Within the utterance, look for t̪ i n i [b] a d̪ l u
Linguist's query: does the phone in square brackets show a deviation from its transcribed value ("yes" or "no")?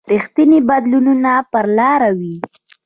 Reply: no